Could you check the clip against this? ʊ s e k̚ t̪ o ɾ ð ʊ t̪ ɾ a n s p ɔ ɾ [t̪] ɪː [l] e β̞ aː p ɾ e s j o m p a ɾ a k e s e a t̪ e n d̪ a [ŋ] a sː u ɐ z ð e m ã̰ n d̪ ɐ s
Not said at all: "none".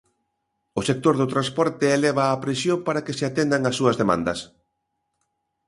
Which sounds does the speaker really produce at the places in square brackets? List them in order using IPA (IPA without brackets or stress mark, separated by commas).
t̪, l, ŋ